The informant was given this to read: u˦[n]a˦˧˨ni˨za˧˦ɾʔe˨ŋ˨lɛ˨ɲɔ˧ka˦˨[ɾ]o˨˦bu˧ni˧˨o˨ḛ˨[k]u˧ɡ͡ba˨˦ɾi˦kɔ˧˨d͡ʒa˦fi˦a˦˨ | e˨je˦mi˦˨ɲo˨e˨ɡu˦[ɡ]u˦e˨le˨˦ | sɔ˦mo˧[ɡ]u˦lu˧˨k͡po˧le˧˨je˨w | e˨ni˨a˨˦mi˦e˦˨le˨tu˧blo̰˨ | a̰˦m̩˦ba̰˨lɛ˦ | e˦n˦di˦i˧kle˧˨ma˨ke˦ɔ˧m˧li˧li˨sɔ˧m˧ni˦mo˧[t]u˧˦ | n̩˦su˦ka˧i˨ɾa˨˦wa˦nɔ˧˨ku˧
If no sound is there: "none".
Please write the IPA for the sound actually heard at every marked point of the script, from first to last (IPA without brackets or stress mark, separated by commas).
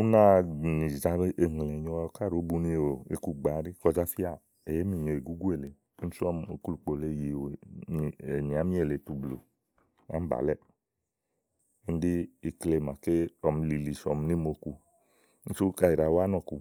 n, ɾ, k, ɡ, k, k